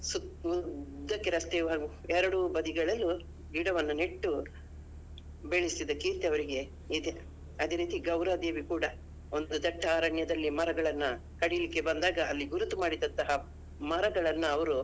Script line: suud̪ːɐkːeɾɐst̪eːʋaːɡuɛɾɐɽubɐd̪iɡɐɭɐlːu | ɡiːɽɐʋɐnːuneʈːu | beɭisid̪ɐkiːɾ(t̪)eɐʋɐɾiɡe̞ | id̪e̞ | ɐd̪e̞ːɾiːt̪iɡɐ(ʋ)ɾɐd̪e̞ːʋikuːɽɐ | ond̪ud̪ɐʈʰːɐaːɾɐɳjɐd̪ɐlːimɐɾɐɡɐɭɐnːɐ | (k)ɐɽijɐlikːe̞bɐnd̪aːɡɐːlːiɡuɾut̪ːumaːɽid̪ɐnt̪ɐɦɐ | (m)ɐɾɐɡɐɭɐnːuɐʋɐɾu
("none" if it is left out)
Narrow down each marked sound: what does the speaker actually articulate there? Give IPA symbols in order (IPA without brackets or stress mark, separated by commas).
t̪, w, k, m